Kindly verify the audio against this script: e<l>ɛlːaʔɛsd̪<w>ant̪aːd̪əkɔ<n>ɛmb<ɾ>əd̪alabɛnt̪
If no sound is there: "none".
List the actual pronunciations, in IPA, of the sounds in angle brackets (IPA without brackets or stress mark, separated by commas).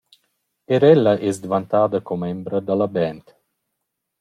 ɾ, v, m, ɾ